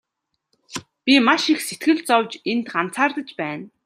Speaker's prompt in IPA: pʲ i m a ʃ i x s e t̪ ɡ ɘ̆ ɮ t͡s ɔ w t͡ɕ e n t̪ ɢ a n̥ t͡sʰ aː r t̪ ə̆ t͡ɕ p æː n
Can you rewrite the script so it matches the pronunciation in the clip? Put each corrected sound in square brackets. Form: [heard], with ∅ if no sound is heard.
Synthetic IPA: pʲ i m a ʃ i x s e t̪ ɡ ɘ̆ ɮ t͡s ɔ w t͡ɕ e n t̪ ɢ a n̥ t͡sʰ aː r t̪ ə̆ t͡ɕ p æː n